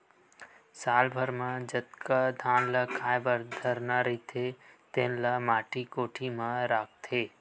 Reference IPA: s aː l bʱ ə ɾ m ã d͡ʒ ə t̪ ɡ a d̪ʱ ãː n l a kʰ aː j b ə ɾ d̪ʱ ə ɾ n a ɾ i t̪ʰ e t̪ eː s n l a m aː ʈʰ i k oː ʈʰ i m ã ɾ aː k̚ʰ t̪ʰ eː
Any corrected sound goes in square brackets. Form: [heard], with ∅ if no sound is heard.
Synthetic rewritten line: s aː l bʱ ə ɾ m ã d͡ʒ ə t̪ [k] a d̪ʱ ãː n l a kʰ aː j b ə ɾ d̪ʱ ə ɾ n a ɾ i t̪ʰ e t̪ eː [∅] n l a m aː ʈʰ i k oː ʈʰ i m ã ɾ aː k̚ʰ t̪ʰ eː

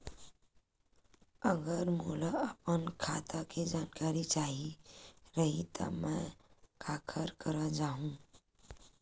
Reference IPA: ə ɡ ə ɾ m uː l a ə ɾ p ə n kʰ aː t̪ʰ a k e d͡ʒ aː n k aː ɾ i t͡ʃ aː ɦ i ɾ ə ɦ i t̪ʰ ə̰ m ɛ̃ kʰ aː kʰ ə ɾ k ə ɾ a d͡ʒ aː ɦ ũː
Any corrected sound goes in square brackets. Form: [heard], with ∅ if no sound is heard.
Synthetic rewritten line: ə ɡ ə ɾ m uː l a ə [∅] p ə n kʰ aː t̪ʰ a k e d͡ʒ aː n k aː ɾ i t͡ʃ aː ɦ i ɾ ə ɦ i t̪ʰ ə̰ m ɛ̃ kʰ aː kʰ ə ɾ k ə ɾ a d͡ʒ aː ɦ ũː

